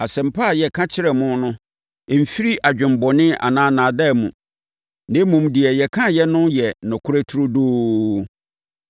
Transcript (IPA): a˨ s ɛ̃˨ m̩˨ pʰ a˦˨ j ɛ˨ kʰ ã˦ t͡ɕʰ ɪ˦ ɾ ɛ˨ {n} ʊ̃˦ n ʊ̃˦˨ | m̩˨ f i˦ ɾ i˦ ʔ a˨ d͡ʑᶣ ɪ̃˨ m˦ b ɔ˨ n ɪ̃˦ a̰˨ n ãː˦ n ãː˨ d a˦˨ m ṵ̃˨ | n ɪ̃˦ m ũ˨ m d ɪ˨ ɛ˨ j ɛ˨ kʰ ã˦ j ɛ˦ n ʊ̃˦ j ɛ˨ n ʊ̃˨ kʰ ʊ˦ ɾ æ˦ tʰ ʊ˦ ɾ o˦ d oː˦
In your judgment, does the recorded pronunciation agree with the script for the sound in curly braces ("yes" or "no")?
no